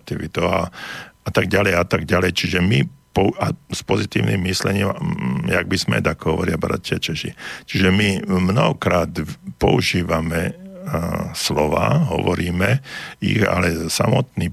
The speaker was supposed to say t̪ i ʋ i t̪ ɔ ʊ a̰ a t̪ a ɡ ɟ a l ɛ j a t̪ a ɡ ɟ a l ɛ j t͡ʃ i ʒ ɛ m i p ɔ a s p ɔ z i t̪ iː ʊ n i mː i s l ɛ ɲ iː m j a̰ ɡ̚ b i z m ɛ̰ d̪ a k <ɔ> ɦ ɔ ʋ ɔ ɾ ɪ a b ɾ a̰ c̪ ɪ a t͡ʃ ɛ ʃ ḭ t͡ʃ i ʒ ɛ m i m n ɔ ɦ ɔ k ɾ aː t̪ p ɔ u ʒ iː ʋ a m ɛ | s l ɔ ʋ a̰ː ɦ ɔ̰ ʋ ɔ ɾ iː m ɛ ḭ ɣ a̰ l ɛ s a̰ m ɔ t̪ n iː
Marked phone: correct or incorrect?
correct